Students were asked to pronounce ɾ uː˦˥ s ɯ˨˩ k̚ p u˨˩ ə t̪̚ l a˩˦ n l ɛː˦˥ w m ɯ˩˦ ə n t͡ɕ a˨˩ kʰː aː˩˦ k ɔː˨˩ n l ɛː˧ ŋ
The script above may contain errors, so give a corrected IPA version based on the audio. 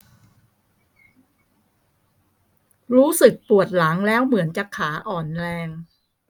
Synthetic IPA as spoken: ɾ uː˦˥ s ɯ˨˩ k̚ p u˨˩ ə t̪̚ l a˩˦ ŋ l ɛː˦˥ w m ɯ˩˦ ə n t͡ɕ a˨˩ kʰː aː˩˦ ʔ ɔː˨˩ n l ɛː˧ ŋ